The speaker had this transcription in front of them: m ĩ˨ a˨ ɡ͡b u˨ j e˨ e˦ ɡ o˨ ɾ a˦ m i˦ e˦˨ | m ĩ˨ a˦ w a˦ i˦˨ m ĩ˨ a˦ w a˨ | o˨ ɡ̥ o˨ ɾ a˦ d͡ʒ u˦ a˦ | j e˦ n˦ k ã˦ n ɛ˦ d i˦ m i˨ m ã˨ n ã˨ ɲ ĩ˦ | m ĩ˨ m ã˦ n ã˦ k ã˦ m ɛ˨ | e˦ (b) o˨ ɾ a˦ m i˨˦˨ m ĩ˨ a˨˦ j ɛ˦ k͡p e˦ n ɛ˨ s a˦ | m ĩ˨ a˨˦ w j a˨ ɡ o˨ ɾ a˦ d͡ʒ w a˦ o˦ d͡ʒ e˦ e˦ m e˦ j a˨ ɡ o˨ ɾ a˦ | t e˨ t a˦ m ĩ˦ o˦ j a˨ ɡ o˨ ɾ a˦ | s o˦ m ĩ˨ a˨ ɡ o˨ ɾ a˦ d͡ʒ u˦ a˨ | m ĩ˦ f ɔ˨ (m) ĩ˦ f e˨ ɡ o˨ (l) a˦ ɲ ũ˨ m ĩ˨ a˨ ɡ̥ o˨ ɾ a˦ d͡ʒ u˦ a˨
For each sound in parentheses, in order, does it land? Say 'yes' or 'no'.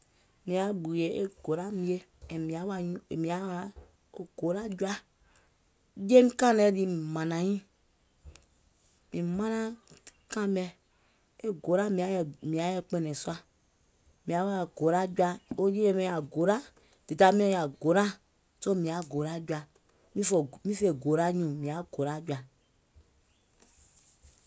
no, yes, no

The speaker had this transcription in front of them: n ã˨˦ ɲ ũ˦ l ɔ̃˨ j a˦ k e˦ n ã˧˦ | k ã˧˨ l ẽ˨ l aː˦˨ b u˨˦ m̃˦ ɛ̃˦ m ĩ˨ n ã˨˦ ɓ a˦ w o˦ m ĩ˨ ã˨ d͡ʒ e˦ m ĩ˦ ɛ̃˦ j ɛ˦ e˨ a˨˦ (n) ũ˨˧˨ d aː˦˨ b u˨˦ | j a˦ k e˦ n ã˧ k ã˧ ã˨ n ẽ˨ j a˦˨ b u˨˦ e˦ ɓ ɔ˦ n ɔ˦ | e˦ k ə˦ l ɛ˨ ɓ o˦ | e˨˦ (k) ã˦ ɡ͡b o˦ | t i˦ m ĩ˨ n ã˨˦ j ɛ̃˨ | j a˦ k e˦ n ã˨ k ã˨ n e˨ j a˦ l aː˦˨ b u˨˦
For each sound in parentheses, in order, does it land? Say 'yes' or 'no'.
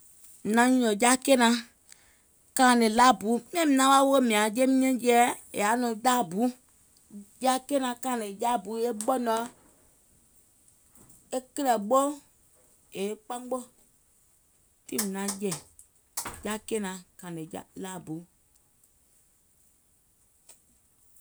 yes, no

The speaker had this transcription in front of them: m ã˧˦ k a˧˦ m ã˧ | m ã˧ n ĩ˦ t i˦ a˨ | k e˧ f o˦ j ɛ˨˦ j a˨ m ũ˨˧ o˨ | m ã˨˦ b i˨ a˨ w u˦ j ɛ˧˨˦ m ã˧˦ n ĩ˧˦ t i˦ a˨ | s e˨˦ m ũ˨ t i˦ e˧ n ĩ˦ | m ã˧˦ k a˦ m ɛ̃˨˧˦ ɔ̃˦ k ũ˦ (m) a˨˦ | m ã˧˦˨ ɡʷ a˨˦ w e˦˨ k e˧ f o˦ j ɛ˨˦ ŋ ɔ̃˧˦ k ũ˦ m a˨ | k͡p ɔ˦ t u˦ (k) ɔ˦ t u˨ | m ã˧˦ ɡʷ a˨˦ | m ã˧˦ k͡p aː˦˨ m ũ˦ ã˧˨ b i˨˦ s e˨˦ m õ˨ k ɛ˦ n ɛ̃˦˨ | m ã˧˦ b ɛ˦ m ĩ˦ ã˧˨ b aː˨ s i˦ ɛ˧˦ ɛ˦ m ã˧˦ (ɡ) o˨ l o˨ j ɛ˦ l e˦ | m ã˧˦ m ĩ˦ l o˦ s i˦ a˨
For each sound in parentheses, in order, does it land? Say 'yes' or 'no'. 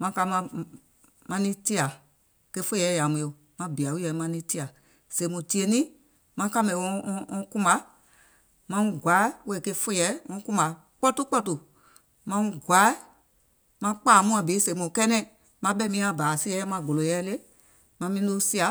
yes, no, yes

